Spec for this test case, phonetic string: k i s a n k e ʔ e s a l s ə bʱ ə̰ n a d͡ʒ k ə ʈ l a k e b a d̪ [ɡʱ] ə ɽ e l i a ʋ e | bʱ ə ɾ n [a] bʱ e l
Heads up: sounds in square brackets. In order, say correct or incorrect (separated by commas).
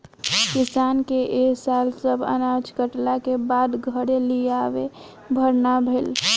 correct, correct